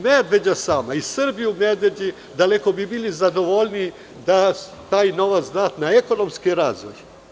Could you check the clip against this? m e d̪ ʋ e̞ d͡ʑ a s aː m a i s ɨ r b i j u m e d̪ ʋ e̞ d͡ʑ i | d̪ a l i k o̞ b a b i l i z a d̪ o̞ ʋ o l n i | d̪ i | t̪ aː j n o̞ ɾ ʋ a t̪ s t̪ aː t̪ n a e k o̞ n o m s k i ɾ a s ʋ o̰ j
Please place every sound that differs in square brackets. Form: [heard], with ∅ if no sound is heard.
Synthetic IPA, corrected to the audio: m e d̪ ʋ e̞ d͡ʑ a s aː m a i s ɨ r b i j u m e d̪ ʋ e̞ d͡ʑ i | d̪ a l [e] k o̞ b [i] b i l i z a d̪ o̞ ʋ o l n i | d̪ [a] | t̪ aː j n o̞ [∅] ʋ a t̪ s [d̪] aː t̪ n a e k o̞ n o m s k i ɾ a [z] ʋ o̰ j